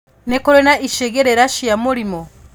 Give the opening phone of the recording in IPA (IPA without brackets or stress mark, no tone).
n